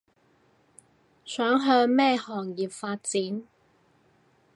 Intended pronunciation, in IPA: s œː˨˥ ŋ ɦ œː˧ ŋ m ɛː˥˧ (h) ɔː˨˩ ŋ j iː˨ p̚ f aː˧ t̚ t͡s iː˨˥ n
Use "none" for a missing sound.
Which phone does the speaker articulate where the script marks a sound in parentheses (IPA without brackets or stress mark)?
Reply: h